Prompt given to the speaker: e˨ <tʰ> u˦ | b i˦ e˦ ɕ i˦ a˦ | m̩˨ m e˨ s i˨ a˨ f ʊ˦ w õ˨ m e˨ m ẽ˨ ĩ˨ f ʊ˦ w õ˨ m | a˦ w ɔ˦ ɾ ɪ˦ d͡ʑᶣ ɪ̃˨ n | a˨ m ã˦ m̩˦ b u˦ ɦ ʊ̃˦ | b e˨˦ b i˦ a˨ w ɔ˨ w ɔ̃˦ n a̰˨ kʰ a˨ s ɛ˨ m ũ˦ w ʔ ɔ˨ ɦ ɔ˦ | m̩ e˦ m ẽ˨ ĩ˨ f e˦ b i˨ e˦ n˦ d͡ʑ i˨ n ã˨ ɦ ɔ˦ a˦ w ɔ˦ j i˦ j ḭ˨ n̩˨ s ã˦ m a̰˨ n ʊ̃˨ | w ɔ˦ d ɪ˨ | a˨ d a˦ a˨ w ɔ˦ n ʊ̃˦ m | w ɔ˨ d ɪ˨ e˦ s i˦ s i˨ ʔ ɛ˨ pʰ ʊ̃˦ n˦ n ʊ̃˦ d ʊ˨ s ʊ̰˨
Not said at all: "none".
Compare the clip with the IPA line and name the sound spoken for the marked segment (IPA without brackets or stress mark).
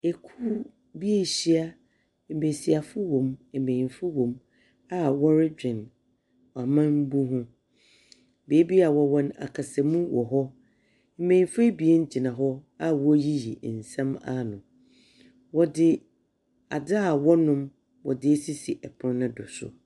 kʰ